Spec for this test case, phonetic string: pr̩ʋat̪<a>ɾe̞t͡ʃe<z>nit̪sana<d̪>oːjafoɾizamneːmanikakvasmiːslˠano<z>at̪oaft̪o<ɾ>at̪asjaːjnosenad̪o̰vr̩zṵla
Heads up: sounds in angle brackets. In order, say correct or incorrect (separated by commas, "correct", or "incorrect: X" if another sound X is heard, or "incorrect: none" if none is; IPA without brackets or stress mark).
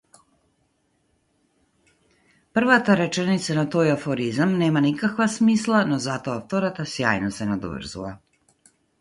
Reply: correct, incorrect: none, incorrect: t̪, correct, correct